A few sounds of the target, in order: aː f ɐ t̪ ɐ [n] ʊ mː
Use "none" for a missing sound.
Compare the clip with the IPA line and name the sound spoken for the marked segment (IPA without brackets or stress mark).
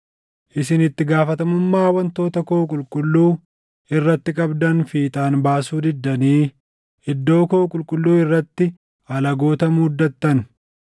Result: m